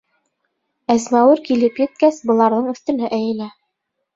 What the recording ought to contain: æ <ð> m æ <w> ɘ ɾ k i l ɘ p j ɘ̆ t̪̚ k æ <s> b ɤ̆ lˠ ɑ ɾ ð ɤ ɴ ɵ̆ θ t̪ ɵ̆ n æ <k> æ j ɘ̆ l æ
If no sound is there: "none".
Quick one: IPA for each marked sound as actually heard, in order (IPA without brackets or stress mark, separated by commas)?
z, w, s, ʔ